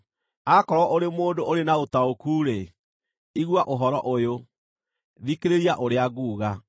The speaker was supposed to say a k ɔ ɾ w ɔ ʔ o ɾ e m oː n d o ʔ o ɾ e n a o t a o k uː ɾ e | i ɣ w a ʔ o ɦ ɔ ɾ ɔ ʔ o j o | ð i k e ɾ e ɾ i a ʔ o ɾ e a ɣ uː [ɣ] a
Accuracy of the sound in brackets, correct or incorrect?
correct